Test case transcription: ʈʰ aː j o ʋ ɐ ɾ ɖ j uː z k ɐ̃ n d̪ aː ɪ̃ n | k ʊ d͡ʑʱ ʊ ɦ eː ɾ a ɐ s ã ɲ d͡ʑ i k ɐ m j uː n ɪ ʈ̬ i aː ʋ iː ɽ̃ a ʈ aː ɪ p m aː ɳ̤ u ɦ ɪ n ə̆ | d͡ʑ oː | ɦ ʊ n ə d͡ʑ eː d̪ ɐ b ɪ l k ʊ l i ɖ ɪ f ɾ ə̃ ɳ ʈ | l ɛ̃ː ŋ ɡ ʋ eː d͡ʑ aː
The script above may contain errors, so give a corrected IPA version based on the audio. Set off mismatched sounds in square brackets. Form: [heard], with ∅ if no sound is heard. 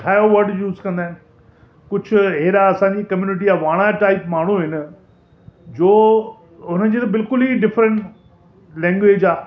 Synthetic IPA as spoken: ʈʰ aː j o ʋ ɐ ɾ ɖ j uː z k ɐ̃ n d̪ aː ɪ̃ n | k ʊ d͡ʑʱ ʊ ɦ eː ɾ a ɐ s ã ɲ d͡ʑ i k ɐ m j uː n ɪ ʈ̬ i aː ʋ [aː] ɽ̃ a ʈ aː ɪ p m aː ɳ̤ u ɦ ɪ n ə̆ | d͡ʑ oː | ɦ ʊ n ə d͡ʑ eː [t̪] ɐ b ɪ l k ʊ l i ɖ ɪ f ɾ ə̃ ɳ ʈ | l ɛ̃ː ŋ ɡ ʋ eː d͡ʑ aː